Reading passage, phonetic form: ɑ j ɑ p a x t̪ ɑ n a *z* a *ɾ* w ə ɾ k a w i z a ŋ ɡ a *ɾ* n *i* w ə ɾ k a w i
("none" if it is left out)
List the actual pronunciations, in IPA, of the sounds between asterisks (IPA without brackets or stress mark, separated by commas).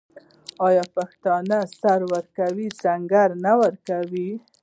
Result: s, ɾ, ɾ, a